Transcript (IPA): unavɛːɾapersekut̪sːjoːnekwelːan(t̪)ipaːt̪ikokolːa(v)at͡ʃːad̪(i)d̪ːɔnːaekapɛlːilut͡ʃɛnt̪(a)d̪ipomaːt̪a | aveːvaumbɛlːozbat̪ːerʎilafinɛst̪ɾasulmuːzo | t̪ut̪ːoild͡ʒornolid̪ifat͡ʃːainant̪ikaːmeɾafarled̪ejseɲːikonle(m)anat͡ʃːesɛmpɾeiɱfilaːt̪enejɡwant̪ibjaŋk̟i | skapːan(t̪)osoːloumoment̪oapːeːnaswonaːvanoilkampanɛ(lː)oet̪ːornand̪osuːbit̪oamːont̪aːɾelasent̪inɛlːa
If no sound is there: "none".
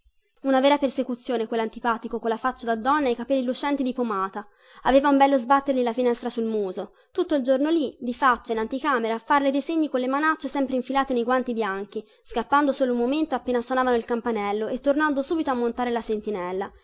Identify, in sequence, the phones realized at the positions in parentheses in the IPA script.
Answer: t̪, f, a, i, m, d̪, lː

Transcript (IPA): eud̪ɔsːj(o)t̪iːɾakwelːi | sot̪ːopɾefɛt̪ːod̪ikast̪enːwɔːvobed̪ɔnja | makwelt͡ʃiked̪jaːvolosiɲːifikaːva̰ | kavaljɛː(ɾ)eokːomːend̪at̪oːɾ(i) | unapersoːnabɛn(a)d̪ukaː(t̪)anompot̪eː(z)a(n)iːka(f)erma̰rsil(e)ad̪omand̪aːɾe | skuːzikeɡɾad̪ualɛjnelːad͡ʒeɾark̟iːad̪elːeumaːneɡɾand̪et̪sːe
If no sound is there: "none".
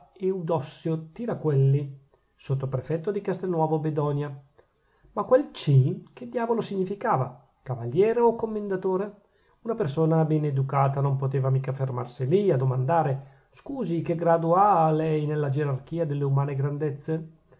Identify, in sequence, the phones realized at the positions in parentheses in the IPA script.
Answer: o, ɾ, e, e, t̪, v, m, f, i

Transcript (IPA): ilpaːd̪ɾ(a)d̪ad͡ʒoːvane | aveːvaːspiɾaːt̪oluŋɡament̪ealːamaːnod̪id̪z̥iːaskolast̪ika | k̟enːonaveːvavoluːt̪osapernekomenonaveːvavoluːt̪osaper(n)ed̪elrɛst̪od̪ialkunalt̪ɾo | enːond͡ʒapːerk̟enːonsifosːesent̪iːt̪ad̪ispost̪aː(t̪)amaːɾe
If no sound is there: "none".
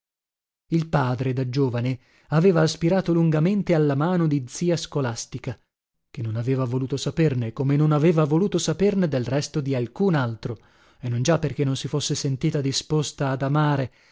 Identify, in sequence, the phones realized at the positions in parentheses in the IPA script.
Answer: e, n, d̪

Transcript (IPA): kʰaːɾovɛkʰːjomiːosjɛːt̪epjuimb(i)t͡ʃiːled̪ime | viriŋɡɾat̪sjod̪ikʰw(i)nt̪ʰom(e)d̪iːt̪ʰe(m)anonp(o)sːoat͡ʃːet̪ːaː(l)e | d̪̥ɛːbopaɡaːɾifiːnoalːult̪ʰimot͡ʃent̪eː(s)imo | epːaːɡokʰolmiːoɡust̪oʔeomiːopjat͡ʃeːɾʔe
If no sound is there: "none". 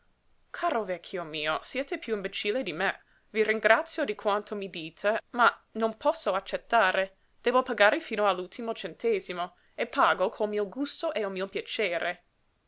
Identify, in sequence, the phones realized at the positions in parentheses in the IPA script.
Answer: e, a, i, m, ɔ, ɾ, z

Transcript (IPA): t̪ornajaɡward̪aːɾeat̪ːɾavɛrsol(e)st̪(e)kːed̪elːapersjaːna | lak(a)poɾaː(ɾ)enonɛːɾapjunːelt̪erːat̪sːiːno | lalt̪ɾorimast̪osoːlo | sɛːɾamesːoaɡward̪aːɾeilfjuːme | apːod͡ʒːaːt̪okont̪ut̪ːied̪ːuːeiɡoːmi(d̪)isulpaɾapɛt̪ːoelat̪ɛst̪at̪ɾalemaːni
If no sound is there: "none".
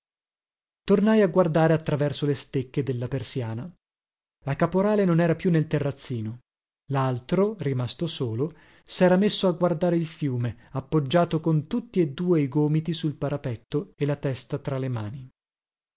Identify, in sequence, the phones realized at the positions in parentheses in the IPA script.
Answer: e, e, a, l, t̪

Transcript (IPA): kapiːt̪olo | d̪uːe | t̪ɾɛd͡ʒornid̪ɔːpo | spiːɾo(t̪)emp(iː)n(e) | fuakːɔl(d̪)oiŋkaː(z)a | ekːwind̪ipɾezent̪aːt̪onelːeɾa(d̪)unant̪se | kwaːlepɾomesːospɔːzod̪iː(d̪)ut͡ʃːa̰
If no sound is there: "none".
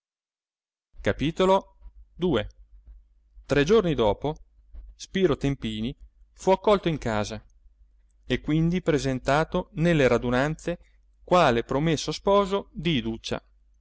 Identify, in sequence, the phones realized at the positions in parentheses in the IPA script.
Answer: t̪, iː, i, t̪, z, d̪, d̪

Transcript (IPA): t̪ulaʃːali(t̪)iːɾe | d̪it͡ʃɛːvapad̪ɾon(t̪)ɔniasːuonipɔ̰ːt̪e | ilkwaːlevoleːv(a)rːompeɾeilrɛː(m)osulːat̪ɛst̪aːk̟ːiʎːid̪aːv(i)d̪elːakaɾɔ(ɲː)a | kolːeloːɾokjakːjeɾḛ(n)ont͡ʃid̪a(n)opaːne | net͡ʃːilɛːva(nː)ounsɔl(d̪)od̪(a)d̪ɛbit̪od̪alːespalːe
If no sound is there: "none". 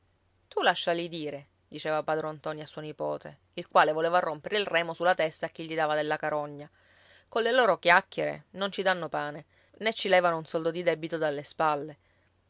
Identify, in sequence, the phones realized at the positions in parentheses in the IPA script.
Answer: d̪, t̪, a, m, a, ɲː, n, nː, n, d̪, i

